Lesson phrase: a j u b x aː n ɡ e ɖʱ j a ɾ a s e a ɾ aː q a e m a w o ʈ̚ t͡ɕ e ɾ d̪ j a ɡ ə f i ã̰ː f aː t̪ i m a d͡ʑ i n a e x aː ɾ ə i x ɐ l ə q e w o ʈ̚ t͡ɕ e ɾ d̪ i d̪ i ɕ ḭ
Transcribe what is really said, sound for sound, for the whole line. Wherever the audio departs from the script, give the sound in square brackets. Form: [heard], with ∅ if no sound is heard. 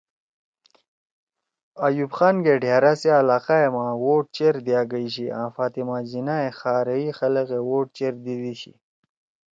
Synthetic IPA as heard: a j u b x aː n ɡ e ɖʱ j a ɾ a s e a [l] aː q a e m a w o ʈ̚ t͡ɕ e ɾ d̪ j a ɡ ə [ɕ] i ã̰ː f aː t̪ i m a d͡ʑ i n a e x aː ɾ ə i x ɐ l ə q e w o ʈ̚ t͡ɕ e ɾ d̪ i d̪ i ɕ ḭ